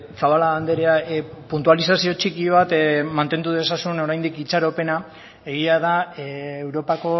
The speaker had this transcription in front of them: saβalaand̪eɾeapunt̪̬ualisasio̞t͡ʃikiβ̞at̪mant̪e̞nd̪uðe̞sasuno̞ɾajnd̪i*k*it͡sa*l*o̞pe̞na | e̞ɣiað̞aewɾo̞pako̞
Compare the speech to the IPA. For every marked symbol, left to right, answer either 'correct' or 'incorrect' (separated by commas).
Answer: correct, incorrect